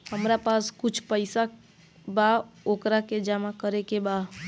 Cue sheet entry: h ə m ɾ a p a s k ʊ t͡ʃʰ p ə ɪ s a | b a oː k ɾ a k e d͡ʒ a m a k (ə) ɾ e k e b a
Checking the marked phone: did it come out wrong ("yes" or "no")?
no